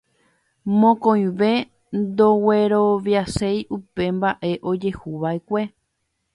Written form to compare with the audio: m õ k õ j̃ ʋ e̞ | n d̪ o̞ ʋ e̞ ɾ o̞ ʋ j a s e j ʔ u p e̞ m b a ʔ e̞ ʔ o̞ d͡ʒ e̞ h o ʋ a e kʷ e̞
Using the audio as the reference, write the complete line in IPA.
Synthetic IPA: m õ k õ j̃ ʋ e̞ | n d̪ o̞ w e̞ ɾ o̞ ʋ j a s e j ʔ u p e̞ m b a ʔ e̞ ʔ o̞ d͡ʒ e̞ h u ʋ a e kʷ e̞